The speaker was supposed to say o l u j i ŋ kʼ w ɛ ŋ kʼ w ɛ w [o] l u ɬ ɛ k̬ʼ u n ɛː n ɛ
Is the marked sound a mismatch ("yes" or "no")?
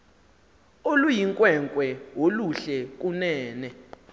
no